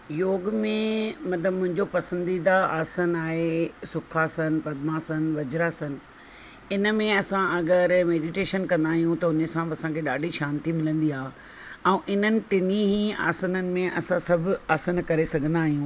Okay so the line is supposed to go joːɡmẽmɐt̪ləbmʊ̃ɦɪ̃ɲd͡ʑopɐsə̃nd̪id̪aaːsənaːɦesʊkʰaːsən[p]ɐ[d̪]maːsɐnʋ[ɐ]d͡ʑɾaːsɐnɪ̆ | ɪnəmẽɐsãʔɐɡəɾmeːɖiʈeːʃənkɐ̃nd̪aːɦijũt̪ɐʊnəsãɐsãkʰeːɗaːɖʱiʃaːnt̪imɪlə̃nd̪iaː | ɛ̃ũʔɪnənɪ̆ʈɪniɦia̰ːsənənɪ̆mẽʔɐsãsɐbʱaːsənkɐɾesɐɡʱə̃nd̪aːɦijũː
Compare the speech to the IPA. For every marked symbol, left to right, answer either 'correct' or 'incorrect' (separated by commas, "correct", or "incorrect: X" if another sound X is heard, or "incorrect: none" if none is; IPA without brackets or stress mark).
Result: correct, correct, correct